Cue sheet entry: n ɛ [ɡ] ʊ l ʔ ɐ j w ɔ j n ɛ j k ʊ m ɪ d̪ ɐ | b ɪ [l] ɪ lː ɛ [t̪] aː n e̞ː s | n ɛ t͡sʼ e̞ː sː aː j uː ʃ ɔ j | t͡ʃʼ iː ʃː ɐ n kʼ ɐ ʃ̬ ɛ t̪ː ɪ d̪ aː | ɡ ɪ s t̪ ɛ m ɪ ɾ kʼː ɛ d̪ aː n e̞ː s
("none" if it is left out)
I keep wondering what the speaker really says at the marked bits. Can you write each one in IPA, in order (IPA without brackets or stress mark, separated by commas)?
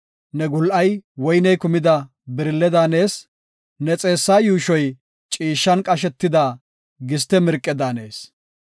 ɡ, ɾ, d̪